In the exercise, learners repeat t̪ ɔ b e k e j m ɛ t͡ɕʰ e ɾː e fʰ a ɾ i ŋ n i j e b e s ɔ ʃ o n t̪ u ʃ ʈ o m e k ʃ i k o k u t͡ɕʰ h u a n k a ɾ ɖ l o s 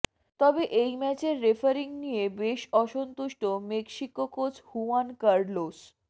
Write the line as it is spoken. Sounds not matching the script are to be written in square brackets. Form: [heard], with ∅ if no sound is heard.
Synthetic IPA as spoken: t̪ ɔ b e [ʔ] e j m ɛ [t͡ɕ] e ɾː e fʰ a ɾ i ŋ n i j e b e [ʃ] ɔ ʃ o n t̪ u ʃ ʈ o m e k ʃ i k o k [o] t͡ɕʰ h u a n k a ɾ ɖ l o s